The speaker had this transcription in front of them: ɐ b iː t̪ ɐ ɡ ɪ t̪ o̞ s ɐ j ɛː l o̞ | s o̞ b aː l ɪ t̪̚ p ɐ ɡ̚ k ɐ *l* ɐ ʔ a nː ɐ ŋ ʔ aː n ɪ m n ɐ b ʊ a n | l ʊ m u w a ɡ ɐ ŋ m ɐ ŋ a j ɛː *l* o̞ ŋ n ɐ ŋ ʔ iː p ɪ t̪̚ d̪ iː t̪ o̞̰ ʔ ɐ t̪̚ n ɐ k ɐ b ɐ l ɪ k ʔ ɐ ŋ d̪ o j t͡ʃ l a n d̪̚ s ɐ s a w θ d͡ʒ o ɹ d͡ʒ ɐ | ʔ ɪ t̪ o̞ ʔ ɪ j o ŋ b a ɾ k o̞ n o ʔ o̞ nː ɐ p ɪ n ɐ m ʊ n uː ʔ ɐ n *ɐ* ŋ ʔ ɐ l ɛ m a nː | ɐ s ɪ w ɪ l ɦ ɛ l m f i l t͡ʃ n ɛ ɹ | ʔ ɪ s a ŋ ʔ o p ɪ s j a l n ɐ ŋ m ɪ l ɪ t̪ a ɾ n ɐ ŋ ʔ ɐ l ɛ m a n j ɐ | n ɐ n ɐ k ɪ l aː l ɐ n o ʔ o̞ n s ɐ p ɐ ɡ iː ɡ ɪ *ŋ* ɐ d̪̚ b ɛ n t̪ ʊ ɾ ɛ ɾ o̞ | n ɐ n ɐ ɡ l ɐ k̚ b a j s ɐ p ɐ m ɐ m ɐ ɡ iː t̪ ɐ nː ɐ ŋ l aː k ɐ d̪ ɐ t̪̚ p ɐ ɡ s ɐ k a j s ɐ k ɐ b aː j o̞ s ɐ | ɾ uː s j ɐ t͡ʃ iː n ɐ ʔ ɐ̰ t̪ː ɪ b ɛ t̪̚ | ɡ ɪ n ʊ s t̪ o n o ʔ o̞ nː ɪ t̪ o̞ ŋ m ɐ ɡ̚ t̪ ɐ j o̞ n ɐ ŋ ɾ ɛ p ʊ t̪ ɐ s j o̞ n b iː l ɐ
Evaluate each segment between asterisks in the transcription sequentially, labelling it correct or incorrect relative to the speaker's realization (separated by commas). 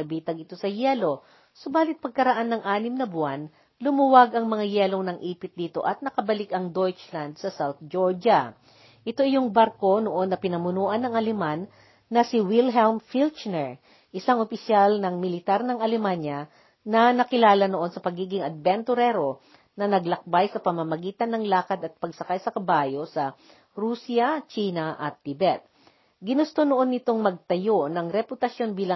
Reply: incorrect, correct, correct, correct